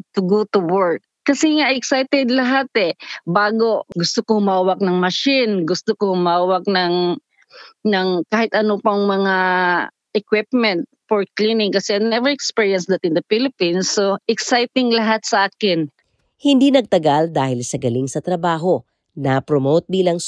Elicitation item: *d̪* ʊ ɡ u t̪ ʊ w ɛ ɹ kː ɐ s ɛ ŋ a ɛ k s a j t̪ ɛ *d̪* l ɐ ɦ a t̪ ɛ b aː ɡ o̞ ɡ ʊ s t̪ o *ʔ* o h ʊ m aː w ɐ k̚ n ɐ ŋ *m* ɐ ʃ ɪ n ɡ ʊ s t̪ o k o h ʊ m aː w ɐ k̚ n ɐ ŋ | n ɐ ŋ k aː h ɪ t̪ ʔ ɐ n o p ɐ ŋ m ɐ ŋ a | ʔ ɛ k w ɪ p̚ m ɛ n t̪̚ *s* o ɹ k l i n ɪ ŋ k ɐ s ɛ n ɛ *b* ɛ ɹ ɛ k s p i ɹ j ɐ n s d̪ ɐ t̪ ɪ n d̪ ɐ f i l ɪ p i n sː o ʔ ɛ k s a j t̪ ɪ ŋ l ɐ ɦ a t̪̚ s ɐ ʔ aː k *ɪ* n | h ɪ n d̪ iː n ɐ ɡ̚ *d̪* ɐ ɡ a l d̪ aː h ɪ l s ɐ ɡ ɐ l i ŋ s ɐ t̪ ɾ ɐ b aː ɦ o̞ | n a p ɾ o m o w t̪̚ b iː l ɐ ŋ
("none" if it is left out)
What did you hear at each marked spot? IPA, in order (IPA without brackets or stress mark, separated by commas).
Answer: t̪, d̪, k, m, f, v, ɪ, t̪